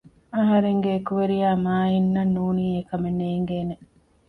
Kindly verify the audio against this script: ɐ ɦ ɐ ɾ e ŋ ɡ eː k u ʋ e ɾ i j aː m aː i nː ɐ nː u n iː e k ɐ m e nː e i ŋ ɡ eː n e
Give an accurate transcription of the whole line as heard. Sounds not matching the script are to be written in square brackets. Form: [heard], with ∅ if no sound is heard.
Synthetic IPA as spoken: ɐ ɦ ɐ ɾ e ŋ ɡ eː k u ʋ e ɾ i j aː m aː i nː ɐ nː [uː] n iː e k ɐ m e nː e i ŋ ɡ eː n e